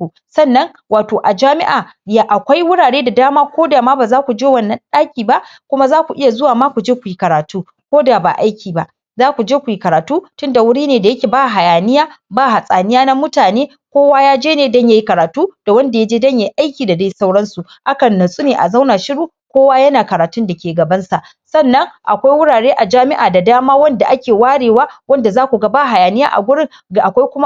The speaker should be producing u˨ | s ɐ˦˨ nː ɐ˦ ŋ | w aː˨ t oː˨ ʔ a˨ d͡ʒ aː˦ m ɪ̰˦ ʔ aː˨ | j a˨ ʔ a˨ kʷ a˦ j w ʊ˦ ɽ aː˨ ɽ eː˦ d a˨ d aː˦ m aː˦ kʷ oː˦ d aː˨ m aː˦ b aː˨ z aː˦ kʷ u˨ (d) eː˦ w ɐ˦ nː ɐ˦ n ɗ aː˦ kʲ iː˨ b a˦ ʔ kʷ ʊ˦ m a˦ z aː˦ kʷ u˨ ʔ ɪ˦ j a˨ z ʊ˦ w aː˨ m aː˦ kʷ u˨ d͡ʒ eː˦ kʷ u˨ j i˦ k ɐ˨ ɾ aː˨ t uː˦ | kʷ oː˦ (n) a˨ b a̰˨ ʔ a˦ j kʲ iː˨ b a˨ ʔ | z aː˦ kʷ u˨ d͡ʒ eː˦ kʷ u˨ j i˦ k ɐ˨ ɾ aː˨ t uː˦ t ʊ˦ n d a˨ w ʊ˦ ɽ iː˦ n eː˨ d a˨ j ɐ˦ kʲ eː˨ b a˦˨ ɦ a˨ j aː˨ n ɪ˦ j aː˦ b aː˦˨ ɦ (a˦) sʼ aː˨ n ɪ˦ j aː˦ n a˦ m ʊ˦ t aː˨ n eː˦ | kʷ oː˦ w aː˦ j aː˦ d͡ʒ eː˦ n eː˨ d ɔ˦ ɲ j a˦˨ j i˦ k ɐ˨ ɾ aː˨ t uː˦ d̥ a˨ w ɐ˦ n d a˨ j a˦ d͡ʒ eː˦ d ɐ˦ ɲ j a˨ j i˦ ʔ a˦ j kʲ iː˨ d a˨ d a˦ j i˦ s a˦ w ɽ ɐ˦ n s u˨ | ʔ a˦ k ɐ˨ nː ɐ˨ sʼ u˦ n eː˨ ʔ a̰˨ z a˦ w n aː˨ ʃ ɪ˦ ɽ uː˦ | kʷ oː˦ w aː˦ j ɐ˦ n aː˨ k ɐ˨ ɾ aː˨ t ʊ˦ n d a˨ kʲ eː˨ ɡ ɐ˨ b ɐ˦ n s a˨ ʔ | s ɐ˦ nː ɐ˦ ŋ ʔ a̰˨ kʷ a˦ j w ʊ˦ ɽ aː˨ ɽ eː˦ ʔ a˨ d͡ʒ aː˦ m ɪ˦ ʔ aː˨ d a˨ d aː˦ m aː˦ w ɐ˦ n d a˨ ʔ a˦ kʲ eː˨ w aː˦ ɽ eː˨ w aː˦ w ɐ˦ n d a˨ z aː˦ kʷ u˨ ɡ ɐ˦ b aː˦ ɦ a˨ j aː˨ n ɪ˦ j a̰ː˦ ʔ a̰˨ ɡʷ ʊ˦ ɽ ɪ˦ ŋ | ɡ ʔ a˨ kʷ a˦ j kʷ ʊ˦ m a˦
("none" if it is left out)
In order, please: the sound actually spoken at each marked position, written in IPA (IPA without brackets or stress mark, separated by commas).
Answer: d͡ʒ, d, a˨